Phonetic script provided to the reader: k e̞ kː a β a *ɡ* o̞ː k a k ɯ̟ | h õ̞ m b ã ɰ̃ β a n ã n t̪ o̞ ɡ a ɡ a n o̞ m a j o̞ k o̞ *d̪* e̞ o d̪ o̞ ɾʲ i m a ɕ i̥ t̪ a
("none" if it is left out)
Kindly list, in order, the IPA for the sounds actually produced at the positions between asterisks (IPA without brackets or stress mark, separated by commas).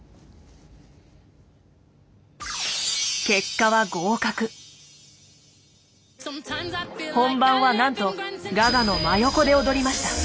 ɡ, d̪